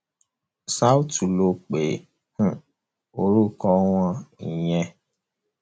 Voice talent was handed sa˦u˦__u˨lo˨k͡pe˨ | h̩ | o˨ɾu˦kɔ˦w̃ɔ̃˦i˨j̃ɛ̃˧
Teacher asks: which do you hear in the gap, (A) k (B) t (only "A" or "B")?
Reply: B